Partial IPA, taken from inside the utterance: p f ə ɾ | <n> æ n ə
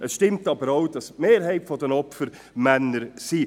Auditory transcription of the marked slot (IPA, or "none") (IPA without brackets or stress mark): m